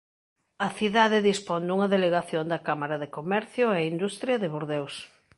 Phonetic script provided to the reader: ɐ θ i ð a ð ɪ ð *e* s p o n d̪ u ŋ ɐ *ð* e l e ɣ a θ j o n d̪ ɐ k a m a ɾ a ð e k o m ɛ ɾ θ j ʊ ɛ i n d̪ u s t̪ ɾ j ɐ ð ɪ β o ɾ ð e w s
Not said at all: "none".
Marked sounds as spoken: i, ð

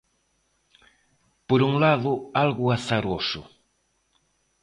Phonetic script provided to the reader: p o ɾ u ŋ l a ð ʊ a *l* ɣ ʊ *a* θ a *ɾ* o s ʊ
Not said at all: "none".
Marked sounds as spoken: l, a, ɾ

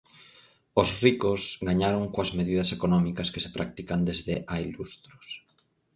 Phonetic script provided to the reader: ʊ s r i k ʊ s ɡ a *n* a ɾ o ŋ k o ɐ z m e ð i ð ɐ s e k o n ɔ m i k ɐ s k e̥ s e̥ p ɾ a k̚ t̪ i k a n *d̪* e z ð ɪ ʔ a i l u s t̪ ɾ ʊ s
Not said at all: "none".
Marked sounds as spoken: ɲ, d̪

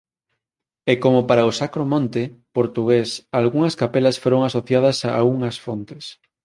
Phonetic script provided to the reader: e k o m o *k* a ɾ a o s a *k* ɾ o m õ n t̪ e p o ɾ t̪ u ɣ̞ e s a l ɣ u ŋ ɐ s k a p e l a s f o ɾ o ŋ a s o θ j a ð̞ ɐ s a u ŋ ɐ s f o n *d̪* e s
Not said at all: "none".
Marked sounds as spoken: p, k, t̪

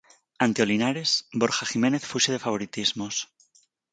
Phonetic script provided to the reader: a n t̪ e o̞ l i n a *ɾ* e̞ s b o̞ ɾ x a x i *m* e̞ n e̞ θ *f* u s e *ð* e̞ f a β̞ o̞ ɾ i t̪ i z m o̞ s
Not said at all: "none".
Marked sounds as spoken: ɾ, m, f, ð

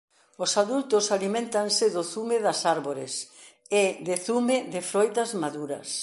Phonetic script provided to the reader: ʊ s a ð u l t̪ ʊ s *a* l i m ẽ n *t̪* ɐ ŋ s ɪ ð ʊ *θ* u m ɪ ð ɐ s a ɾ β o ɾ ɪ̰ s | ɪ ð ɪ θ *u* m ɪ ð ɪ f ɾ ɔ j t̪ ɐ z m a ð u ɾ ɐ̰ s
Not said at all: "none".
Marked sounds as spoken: a, t̪, θ, u

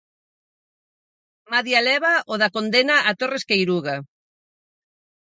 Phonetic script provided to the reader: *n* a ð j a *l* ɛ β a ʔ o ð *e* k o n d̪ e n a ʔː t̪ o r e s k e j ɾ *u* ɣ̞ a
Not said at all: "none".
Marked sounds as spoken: m, l, a, u

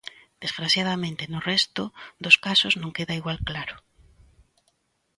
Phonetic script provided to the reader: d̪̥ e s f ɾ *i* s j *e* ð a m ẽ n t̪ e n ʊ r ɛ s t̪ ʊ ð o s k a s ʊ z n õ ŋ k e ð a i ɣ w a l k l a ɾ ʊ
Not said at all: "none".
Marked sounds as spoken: a, a

